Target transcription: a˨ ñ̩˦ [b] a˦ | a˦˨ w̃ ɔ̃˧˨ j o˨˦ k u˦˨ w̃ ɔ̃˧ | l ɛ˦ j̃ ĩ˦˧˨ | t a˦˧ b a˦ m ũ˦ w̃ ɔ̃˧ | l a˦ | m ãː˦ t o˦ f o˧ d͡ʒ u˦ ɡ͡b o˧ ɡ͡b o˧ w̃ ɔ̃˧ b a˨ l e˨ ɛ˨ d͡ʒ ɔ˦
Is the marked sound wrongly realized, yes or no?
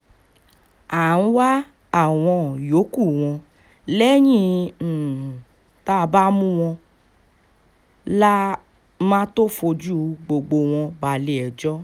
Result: yes